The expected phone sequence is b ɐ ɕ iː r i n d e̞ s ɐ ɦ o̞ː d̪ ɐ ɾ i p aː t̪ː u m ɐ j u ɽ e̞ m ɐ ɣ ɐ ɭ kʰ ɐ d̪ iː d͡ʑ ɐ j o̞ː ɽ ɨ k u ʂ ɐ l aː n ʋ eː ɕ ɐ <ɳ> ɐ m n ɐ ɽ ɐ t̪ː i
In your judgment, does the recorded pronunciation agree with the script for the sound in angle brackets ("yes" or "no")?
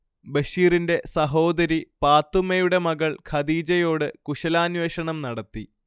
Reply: yes